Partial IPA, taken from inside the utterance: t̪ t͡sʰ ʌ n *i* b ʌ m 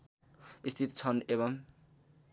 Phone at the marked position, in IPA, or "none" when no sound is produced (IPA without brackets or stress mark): e